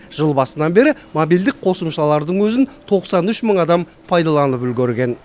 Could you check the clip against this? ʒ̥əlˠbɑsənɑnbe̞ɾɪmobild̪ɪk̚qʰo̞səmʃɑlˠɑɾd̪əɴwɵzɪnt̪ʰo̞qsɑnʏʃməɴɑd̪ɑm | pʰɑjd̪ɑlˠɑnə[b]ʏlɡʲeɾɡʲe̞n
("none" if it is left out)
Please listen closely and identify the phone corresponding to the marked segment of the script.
p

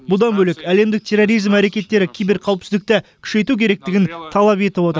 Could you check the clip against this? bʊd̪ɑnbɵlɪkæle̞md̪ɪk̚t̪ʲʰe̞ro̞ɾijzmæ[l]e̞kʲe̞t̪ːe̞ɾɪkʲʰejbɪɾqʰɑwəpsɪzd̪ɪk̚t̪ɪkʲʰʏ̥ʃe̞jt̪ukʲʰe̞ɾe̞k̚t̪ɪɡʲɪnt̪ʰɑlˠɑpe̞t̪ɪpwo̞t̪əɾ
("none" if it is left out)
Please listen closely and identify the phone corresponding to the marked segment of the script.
ɾ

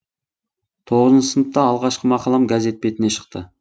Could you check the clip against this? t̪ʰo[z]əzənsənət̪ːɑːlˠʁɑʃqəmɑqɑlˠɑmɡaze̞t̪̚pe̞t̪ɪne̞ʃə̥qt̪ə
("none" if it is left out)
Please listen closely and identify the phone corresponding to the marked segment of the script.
ʁ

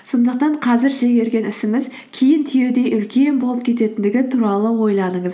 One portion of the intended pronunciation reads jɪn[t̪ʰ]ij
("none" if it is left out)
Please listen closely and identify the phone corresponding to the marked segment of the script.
t̪ʰ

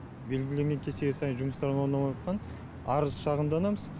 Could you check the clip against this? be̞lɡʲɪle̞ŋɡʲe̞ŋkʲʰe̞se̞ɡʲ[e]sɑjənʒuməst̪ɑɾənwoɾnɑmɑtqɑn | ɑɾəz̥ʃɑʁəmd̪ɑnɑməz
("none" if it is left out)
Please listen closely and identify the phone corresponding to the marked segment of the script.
e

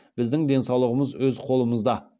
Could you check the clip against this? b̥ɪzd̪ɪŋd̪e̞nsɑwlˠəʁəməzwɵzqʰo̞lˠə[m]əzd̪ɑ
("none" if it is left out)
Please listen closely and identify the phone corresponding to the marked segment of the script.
m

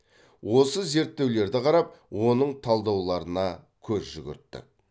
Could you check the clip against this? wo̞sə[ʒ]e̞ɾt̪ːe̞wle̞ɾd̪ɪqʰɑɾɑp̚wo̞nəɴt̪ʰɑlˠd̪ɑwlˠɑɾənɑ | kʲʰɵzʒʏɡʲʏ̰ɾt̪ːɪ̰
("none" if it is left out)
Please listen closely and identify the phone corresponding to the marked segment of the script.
z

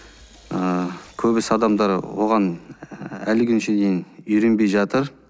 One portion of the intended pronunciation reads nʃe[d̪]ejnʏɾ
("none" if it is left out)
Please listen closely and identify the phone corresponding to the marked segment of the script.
d̪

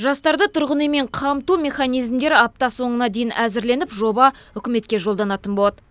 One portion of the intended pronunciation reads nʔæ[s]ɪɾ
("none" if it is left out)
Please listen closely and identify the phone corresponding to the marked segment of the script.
z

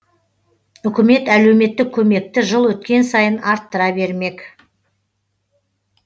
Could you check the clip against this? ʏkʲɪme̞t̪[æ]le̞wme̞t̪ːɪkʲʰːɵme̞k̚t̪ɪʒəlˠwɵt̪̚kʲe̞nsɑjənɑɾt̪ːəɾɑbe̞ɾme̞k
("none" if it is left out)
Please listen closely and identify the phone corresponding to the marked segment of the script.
æ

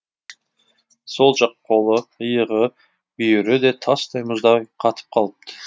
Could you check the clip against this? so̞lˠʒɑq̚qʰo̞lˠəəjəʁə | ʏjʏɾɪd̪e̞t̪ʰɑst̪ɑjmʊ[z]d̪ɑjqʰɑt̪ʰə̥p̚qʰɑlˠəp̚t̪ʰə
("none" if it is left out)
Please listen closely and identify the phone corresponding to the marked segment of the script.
z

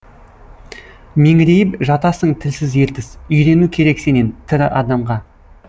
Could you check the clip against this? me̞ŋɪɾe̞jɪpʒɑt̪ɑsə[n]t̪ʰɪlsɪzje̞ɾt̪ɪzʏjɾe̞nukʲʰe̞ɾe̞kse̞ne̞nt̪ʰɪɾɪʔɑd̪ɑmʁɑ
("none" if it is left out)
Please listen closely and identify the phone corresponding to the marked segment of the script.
ɴ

